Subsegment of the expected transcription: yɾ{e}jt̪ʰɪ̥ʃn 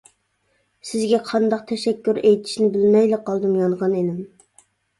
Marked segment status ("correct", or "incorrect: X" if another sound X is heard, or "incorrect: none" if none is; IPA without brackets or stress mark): correct